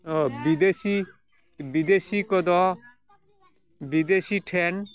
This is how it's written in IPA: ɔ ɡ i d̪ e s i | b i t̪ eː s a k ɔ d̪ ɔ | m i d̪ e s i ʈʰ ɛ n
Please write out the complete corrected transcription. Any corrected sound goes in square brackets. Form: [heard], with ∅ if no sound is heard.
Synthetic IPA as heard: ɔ [b] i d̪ e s i | b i [d̪] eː s [i] k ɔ d̪ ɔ | [b] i d̪ e s i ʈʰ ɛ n